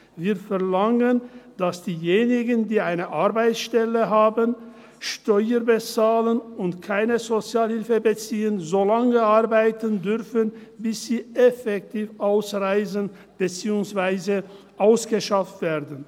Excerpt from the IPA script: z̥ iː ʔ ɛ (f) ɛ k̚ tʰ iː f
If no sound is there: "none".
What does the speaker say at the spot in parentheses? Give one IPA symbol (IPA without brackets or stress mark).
f